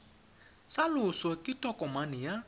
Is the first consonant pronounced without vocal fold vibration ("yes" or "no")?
yes